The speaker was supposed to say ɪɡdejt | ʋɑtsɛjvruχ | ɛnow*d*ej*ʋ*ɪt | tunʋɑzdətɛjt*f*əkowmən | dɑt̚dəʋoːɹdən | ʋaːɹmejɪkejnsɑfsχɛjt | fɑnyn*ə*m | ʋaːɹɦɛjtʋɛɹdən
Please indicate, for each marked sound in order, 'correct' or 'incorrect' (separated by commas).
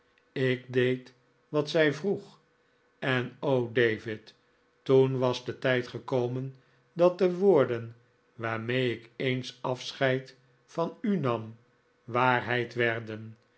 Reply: correct, incorrect, incorrect, incorrect